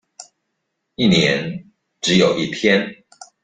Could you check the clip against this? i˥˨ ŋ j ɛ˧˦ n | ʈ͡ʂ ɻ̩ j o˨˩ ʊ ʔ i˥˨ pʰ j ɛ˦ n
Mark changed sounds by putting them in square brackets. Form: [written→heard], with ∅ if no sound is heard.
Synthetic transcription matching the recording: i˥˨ [ŋ→n] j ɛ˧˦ n | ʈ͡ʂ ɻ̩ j o˨˩ ʊ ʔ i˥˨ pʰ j ɛ˦ n